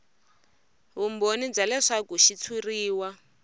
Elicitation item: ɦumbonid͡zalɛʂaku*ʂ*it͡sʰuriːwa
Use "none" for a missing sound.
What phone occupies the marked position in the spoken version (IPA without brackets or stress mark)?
ʃ